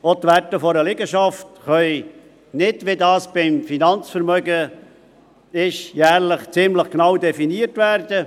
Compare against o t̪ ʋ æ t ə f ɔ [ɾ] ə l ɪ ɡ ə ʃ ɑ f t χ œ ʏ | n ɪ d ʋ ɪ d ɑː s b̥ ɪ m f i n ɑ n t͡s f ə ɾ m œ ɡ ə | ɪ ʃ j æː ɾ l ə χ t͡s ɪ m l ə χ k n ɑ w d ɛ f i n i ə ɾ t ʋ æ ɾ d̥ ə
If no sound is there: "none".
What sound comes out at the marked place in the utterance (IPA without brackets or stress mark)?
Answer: ɾ